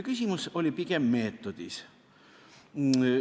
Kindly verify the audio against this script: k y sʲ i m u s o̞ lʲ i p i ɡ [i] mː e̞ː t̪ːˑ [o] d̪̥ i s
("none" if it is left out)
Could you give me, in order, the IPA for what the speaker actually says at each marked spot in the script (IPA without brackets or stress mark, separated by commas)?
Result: e, o